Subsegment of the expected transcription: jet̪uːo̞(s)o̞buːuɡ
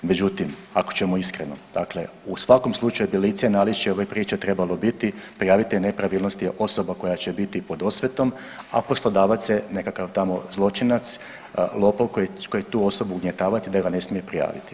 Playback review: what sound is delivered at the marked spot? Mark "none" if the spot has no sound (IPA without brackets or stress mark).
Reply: s